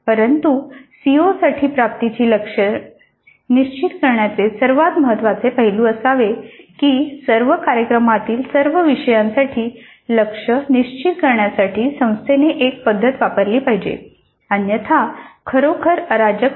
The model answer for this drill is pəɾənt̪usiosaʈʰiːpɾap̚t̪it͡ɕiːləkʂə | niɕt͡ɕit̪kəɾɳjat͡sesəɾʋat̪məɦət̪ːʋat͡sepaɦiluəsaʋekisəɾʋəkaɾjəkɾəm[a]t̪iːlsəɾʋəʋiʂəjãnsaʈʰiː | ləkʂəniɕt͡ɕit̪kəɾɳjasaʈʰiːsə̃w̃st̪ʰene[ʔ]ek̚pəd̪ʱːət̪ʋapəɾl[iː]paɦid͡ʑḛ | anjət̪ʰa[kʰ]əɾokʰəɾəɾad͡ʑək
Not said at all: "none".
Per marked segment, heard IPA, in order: a, ʔ, iː, kʰ

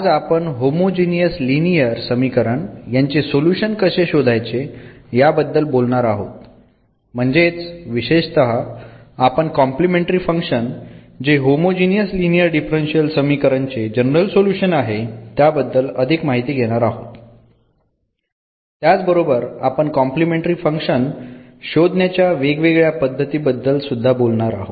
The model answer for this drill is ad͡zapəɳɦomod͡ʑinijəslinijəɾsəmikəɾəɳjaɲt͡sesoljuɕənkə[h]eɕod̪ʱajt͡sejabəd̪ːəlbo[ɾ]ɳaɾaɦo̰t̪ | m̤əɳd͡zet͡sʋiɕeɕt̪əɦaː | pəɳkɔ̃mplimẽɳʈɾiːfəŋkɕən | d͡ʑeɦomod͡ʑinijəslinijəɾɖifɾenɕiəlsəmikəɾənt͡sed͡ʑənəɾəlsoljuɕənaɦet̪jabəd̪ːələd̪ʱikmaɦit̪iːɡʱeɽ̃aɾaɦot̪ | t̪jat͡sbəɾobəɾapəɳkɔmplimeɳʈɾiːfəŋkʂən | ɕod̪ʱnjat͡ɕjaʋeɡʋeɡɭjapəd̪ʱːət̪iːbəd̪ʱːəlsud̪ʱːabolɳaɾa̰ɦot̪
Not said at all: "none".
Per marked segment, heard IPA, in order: ɕ, l

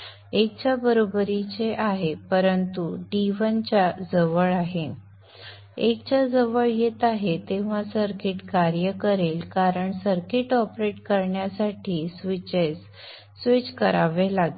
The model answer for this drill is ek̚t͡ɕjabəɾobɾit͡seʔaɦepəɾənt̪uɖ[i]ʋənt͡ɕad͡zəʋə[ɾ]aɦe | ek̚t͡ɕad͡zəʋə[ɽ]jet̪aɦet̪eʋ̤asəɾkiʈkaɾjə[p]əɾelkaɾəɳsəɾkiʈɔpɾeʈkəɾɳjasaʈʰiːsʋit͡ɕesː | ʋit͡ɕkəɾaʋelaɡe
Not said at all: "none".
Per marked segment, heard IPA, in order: i, ɭ, ɭ, k

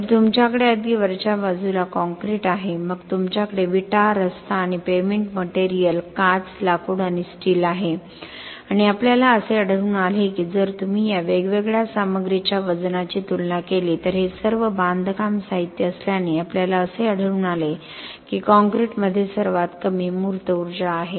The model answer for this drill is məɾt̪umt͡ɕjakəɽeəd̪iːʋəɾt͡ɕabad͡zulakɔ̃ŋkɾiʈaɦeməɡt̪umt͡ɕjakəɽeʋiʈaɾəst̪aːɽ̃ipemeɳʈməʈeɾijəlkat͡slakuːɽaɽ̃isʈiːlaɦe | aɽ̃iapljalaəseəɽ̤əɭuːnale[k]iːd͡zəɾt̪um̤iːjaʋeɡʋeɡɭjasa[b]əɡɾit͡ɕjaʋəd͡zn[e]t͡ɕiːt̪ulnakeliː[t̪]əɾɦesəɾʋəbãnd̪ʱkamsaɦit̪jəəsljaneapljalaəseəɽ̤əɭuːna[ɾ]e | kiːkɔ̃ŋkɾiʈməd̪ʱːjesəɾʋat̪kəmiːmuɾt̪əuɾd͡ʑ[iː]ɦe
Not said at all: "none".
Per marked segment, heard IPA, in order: k, m, a, t̪, l, aː

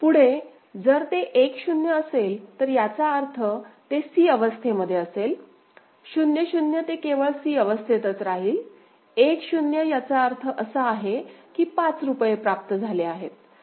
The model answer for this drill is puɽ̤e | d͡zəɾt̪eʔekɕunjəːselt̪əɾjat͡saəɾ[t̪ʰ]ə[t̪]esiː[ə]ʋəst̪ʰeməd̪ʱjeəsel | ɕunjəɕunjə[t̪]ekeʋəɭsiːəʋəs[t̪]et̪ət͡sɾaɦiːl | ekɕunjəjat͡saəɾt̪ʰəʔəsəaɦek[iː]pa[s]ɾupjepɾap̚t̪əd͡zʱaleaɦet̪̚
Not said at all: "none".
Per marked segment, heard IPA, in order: t̪ʰ, t̪, ə, t̪, t̪ʰ, iː, t͡s

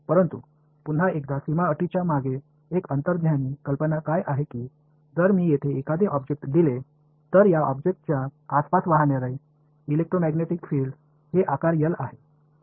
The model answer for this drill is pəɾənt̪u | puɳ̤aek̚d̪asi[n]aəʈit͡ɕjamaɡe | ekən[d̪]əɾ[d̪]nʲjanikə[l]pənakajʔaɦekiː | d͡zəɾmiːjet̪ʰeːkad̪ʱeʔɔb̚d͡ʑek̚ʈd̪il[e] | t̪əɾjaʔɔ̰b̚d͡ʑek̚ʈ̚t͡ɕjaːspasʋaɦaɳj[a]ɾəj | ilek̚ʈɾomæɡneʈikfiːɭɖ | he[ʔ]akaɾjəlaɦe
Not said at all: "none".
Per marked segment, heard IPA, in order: m, t̪, d̪, l, e, a, ʔ

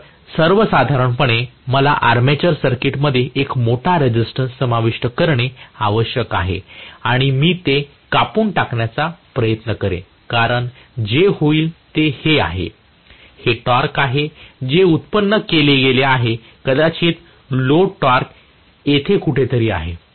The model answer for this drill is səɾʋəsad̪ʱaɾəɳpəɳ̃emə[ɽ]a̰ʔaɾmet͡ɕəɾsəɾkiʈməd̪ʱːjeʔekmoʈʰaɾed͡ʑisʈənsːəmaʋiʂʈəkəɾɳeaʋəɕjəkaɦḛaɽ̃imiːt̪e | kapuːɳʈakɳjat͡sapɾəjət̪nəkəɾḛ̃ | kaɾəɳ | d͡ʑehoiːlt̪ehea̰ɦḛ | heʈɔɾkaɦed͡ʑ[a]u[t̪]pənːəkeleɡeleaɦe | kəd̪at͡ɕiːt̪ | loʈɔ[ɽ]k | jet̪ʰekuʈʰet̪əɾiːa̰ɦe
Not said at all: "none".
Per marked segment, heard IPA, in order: l, e, t̪, ɾ

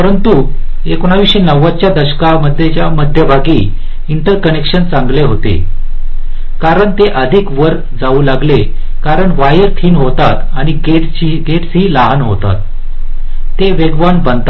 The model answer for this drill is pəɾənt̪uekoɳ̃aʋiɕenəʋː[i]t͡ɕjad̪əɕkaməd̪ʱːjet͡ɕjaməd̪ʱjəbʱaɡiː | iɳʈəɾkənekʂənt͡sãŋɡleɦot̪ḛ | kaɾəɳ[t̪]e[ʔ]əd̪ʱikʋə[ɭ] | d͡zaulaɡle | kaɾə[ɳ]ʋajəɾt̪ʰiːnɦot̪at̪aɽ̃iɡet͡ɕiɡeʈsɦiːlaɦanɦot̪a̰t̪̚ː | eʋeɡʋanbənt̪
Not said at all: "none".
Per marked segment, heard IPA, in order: a, t̪, ʔ, ɾ, ɳ

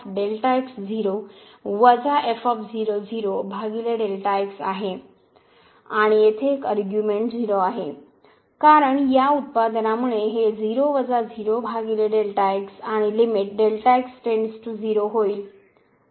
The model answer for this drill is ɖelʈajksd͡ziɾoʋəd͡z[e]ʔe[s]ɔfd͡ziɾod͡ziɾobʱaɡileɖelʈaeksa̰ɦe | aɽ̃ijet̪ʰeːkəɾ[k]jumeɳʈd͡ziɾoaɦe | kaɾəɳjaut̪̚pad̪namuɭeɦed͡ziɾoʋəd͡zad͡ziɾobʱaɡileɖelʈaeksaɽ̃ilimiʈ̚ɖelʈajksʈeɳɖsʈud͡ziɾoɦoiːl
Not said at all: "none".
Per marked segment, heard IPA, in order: a, f, ɡ

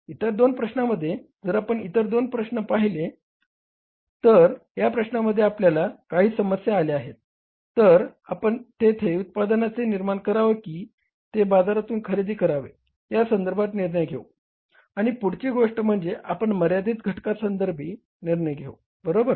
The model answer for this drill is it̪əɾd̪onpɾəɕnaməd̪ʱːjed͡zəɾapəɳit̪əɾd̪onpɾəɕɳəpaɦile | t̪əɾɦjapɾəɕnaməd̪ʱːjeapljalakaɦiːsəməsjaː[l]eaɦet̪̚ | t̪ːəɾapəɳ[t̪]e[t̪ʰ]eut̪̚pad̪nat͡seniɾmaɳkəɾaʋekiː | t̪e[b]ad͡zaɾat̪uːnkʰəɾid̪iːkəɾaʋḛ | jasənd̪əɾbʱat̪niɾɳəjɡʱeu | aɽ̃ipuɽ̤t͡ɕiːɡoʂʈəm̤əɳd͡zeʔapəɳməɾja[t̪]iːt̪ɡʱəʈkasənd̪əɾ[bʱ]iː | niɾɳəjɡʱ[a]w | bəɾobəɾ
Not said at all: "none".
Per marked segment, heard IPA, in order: l, t̪, t̪ʰ, b, d̪, bʱ, e

